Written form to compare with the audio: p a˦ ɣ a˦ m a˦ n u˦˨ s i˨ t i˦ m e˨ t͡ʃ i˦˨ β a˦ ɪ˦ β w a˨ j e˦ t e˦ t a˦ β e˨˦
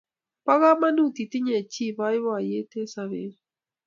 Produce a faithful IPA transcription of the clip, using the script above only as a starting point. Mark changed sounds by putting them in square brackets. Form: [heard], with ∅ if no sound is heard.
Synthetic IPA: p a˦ ɣ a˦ m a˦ n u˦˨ [t] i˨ t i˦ [ɲ] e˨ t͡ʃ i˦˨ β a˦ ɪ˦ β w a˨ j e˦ t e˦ [s] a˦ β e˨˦